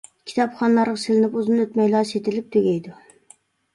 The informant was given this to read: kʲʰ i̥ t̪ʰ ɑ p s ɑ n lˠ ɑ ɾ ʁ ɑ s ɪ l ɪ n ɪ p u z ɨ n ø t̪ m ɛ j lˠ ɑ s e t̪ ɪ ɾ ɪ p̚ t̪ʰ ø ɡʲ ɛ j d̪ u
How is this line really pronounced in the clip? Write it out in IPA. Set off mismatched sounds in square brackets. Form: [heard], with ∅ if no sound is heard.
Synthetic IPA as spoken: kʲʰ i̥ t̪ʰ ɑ p [χ] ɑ n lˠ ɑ ɾ ʁ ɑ s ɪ l ɪ n ɪ p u z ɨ n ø t̪ m ɛ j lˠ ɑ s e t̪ ɪ [l] ɪ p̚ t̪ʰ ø ɡʲ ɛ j d̪ u